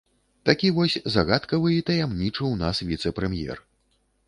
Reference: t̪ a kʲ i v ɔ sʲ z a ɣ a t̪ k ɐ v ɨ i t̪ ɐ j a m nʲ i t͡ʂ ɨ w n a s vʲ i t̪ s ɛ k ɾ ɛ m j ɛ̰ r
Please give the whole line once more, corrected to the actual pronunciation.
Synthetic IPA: t̪ a kʲ i v ɔ sʲ z a ɣ a t̪ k ɐ v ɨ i t̪ ɐ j a m nʲ i t͡ʂ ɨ w n a s vʲ i t̪ s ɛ p ɾ ɛ m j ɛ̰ r